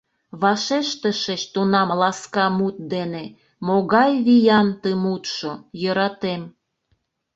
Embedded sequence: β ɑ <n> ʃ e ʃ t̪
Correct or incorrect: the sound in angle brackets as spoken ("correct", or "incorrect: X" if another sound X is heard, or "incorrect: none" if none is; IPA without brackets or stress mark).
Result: incorrect: none